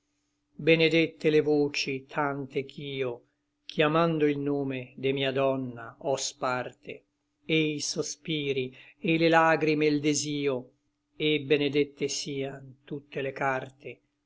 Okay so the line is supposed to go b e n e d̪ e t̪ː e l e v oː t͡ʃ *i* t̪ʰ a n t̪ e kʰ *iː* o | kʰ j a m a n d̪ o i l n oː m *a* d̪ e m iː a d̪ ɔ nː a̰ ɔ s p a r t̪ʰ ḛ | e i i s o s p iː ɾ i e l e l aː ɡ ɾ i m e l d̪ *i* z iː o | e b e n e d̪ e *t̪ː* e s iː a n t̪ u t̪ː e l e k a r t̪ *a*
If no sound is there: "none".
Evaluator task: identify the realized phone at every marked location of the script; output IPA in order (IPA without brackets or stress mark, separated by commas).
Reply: i, iː, e, e, t̪ː, e